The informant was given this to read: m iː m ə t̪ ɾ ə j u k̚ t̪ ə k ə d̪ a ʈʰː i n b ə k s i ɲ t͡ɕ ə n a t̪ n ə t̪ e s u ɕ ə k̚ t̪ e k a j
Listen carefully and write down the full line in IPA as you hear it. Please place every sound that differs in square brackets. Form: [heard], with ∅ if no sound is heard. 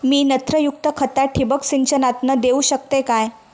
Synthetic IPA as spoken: m iː [n] ə t̪ ɾ ə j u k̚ t̪ ə [kʰ] ə [t̪] a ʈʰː i [∅] b ə k s i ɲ t͡ɕ ə n a t̪ n ə [d̪] e [∅] u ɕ ə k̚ t̪ e k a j